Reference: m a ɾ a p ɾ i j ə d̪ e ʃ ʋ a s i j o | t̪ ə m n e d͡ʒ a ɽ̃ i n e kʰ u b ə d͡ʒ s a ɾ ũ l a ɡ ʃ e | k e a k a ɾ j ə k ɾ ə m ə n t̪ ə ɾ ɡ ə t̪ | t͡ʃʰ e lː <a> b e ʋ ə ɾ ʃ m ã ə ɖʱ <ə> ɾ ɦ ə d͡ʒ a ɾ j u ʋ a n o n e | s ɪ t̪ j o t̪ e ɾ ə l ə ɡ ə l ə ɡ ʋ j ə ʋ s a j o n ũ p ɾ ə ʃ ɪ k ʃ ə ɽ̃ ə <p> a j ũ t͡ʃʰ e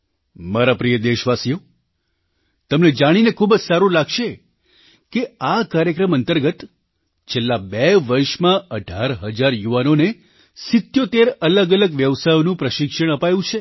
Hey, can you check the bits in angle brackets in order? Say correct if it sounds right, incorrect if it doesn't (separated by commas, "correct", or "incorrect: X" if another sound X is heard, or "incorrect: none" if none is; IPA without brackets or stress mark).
correct, incorrect: a, correct